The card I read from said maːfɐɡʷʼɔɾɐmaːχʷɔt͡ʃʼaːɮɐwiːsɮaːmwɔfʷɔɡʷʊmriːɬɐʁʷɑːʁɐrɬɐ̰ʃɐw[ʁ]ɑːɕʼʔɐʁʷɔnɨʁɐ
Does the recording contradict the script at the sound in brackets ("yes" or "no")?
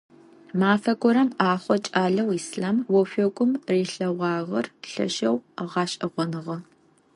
no